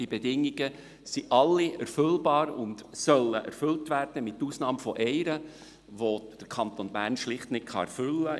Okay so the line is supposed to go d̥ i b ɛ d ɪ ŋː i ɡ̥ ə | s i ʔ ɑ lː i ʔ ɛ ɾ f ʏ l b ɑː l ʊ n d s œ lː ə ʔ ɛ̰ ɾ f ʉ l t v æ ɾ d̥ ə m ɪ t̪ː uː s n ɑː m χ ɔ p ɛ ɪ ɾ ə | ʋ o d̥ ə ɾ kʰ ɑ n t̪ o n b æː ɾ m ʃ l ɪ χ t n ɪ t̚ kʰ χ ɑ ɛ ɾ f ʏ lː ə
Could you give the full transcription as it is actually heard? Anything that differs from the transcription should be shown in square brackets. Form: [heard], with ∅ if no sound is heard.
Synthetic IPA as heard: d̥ i b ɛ d ɪ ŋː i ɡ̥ ə | s i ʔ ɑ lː i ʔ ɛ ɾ f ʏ l b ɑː [ɾ] ʊ n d s œ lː ə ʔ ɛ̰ ɾ f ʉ l t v æ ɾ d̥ ə m ɪ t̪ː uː s n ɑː m [f] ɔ [ʔ] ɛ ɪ ɾ ə | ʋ o d̥ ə ɾ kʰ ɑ n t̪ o n b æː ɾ [n] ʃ l ɪ χ t n ɪ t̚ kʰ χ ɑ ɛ ɾ f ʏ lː ə